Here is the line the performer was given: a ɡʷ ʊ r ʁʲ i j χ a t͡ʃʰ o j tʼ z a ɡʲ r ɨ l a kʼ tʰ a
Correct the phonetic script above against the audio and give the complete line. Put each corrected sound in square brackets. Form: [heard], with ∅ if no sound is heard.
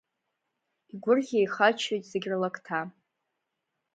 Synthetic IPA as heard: [i] ɡʷ ʊ r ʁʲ [e] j χ a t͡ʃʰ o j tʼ z [e] ɡʲ r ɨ l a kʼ tʰ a